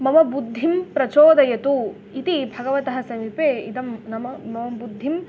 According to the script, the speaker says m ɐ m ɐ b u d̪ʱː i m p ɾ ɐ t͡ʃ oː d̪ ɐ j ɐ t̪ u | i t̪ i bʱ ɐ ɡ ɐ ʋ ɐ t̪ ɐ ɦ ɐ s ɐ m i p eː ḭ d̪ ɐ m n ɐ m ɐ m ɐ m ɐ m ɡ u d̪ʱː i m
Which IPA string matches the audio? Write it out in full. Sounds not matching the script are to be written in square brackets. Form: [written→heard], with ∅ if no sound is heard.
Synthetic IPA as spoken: m ɐ m ɐ b u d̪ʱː i m p ɾ ɐ t͡ʃ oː d̪ ɐ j ɐ t̪ u | i t̪ i bʱ ɐ ɡ ɐ ʋ ɐ t̪ ɐ ɦ ɐ s ɐ m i p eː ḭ d̪ ɐ m n ɐ m ɐ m ɐ m ɐ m [ɡ→b] u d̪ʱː i m